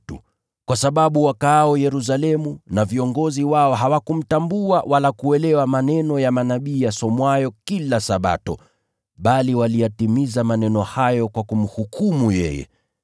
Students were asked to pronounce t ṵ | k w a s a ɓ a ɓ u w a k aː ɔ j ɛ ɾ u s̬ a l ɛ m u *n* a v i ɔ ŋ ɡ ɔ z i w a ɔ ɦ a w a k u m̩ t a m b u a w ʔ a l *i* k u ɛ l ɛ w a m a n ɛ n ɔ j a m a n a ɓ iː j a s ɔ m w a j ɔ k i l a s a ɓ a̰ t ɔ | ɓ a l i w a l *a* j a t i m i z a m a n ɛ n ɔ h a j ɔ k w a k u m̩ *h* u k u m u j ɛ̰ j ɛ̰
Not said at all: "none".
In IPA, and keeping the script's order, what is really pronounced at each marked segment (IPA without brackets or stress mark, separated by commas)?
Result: n, a, i, h